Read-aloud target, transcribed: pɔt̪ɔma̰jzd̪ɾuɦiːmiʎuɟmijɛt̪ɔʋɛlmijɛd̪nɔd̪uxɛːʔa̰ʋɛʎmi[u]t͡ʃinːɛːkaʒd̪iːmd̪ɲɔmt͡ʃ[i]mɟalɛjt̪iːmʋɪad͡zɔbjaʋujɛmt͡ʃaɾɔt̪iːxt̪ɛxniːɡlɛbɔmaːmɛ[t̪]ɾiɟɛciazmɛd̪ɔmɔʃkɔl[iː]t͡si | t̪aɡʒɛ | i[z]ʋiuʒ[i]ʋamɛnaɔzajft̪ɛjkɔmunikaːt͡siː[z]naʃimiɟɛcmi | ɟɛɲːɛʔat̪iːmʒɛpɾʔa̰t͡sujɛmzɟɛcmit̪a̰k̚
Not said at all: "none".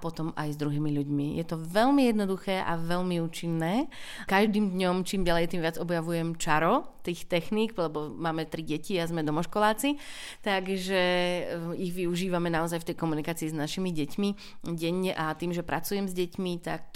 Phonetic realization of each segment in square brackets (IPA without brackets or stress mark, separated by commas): uː, iː, t̪, aː, ɣ, iː, z